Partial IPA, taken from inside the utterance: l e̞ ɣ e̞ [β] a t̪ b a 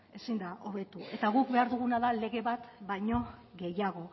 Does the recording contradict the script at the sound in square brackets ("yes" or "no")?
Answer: no